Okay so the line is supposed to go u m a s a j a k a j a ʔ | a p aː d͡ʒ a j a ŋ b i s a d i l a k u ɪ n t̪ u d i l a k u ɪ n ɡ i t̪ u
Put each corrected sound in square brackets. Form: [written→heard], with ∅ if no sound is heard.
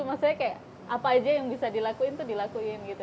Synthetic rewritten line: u m a s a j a k a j a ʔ | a p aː d͡ʒ a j a ŋ b i s a d i l a k u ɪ n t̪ u d i l a k u ɪ n ɡ i t̪ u